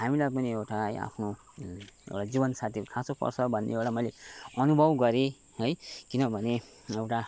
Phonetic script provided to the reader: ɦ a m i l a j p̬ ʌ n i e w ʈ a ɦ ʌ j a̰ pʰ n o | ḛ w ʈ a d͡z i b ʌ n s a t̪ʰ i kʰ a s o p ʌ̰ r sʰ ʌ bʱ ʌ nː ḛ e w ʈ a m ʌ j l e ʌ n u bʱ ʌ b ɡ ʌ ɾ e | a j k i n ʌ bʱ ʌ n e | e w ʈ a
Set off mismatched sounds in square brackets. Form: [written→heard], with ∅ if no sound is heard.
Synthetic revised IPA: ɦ a m i l a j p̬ ʌ n i e w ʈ a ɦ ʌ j a̰ pʰ n o | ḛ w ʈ a d͡z i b ʌ n s a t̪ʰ i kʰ a s o p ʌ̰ r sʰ ʌ bʱ ʌ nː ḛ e w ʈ a m ʌ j l e ʌ n u bʱ ʌ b ɡ ʌ ɾ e | [a→ʌ] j k i n ʌ bʱ ʌ n e | e w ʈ a